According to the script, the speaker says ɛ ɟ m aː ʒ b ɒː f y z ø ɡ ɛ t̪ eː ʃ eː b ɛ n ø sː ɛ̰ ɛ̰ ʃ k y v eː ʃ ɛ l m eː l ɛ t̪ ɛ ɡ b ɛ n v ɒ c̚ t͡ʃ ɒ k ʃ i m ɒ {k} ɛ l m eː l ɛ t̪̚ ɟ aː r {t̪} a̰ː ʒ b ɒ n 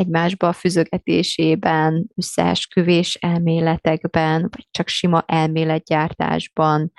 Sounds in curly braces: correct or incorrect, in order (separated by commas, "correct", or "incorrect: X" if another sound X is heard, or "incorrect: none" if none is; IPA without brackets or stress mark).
incorrect: ʔ, correct